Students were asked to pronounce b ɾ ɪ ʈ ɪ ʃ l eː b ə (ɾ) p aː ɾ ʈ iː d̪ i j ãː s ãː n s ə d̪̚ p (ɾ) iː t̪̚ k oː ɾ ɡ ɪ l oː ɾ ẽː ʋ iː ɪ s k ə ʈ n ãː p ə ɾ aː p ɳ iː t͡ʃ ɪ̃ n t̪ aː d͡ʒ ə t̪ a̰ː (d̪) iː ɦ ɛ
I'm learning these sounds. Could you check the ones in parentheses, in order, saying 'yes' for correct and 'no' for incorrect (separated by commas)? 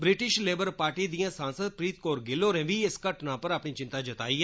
yes, yes, no